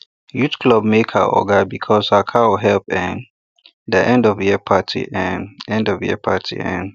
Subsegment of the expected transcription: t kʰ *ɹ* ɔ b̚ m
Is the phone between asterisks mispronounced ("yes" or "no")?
yes